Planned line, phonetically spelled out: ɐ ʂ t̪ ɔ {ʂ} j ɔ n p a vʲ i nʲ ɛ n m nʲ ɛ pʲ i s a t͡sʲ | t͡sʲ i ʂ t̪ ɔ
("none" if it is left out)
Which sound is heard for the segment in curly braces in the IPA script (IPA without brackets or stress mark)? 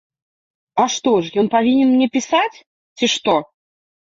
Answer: ʂ